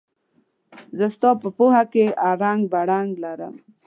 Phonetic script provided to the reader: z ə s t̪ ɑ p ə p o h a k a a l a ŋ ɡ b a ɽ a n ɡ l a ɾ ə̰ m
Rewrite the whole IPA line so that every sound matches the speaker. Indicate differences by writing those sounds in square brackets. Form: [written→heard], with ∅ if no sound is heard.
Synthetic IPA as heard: z ə s t̪ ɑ p ə p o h a k [a→e] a [l→ɾ] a ŋ ɡ b a ɽ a [n→ŋ] ɡ l a ɾ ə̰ m